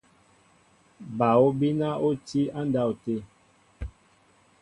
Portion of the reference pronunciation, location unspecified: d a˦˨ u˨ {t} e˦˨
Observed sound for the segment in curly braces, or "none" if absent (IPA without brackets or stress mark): t